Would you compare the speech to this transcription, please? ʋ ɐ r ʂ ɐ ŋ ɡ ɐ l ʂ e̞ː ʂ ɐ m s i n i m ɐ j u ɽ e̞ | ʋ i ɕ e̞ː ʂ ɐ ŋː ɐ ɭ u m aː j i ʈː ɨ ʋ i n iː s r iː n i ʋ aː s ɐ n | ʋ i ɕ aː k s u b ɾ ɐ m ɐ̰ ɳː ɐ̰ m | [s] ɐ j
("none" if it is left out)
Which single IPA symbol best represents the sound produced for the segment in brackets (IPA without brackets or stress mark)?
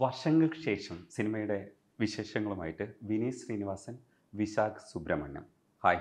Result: h